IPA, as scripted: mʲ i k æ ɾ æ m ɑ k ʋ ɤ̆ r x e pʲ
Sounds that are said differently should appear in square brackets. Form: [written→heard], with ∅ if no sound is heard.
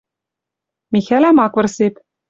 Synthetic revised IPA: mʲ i [k→x] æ [ɾ→l] æ m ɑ k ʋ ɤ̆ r [x→s] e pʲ